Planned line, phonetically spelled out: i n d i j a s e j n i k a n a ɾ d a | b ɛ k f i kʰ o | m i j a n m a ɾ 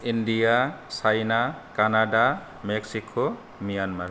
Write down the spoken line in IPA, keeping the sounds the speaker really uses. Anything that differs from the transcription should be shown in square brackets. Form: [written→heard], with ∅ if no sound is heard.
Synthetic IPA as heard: i n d i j a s [e→a] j n [i→a] k a n a [ɾ→∅] d a | [b→m] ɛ k [f→s] i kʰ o | m i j a n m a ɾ